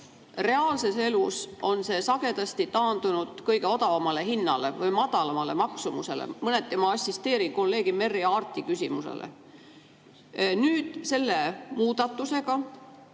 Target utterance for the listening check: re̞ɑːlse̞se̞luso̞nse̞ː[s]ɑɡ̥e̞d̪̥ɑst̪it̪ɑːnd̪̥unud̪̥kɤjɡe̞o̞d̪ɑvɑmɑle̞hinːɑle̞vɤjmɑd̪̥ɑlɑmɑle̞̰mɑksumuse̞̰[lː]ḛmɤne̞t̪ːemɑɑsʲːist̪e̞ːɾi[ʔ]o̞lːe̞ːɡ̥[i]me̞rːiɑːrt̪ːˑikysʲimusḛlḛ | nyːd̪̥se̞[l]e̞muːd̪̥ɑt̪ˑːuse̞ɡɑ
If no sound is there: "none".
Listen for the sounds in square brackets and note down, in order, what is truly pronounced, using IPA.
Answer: s, l, k, i, lː

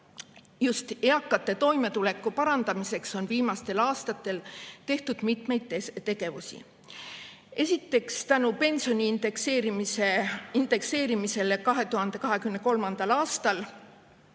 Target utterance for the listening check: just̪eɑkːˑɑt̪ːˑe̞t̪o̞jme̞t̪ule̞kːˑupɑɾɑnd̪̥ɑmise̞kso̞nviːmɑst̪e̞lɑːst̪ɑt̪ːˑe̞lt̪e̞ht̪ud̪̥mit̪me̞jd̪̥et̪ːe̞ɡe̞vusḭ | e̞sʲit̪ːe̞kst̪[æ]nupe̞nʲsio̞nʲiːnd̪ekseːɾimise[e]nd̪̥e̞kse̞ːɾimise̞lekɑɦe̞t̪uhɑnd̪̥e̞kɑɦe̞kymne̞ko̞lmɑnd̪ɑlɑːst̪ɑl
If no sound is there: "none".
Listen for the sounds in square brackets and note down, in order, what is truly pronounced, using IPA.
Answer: æ, i

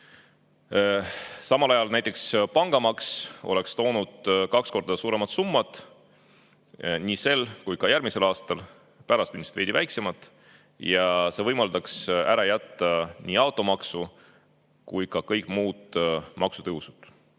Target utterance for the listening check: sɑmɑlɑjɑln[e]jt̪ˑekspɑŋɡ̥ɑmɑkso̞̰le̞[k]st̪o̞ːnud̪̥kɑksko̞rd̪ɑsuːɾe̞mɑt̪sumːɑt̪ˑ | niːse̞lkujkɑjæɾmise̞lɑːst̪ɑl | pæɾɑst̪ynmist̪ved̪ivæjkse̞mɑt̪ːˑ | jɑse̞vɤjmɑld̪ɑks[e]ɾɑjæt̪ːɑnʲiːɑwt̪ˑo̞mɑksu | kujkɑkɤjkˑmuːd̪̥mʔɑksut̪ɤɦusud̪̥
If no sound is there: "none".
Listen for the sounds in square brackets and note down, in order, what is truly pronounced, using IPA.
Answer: æ, k, æ

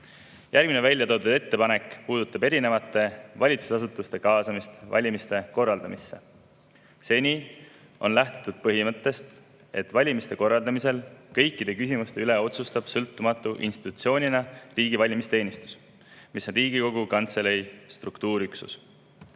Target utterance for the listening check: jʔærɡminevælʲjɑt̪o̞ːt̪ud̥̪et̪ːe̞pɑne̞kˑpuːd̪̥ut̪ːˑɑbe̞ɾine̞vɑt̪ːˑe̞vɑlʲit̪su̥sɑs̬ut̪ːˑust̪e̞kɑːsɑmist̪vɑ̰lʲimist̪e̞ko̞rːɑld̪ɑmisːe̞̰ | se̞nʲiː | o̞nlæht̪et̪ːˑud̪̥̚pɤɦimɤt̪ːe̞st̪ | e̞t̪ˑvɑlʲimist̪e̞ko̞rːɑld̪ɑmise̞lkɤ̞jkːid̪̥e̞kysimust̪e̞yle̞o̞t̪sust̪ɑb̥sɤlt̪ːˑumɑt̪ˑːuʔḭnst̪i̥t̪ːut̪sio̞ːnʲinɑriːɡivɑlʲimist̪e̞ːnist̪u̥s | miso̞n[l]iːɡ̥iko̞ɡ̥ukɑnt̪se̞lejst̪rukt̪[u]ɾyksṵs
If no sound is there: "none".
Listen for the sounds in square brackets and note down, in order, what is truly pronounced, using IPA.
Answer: r, uː

